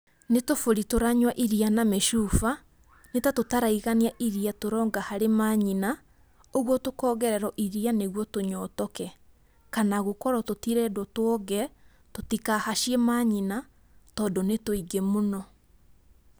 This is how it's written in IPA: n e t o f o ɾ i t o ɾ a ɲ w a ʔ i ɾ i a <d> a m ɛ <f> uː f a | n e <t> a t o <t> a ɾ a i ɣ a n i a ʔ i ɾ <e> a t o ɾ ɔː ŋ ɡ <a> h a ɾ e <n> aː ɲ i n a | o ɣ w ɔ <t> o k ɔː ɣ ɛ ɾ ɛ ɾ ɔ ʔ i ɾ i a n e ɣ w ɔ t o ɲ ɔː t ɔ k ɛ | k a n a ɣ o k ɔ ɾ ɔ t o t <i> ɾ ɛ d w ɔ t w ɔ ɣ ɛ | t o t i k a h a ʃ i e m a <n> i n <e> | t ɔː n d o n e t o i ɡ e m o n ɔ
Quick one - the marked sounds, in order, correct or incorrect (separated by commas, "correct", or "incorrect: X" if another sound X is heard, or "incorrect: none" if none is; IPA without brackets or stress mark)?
incorrect: n, incorrect: ʃ, correct, correct, incorrect: i, correct, incorrect: m, correct, correct, incorrect: ɲ, incorrect: a